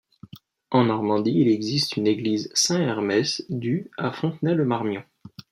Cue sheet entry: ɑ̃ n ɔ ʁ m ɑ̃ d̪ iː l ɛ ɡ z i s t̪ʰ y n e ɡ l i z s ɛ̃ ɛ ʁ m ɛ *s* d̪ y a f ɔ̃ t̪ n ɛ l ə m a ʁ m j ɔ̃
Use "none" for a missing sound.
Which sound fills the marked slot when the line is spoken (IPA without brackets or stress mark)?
s